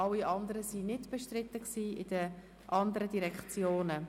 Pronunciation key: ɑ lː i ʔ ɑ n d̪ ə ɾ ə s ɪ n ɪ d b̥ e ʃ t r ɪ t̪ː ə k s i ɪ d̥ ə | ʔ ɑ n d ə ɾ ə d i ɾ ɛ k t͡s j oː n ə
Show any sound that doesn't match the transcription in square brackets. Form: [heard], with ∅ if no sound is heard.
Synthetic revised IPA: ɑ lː i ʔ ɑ n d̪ ə ɾ ə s [i] n ɪ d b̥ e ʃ t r ɪ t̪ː ə k s [iː] ɪ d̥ ə | ʔ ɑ n d ə ɾ ə d i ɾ ɛ k t͡s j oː n ə